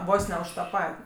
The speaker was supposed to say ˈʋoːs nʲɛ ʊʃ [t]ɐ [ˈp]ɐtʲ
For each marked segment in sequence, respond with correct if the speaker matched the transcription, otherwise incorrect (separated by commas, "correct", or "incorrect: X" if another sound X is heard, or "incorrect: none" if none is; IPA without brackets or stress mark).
correct, correct